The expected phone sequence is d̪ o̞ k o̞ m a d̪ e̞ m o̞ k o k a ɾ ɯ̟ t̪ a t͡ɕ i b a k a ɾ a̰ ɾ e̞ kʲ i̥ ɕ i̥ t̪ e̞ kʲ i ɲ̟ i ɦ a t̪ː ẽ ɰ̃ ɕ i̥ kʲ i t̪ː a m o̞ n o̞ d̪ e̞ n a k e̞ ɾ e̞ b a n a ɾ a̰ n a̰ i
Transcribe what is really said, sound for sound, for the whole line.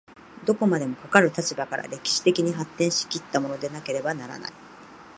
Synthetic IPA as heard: d̪ o̞ k o̞ m a d̪ e̞ m o̞ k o k a ɾ ɯ̟ t̪ a t͡ɕ i b a k a ɾ a̰ ɾ e̞ kʲ i̥ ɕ i̥ t̪ e̞ kʲ i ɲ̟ i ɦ a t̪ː ẽ ɰ̃ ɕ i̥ kʲ i t̪ː a m o̞ n o̞ d̪ e̞ n a k e̞ ɾ e̞ b a n a ɾ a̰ n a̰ i